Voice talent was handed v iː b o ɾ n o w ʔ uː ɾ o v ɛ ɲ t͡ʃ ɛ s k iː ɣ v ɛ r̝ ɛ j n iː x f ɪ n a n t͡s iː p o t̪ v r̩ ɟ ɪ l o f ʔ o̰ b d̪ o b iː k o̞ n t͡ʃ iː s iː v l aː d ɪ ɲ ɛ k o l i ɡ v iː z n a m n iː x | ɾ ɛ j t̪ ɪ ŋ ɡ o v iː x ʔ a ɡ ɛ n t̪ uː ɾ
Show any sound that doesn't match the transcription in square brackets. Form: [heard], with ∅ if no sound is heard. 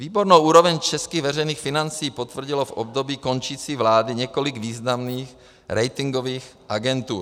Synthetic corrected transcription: v iː b o ɾ n o w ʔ uː ɾ o v ɛ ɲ t͡ʃ ɛ s k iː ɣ v ɛ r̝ ɛ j n iː x f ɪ n a n t͡s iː p o t̪ v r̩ ɟ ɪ l o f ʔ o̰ b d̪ o b iː k o̞ n t͡ʃ iː [t͡s] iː v l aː d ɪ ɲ ɛ k o l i ɡ v iː z n a m n iː x | ɾ ɛ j t̪ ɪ ŋ ɡ o v iː x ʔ a ɡ ɛ n t̪ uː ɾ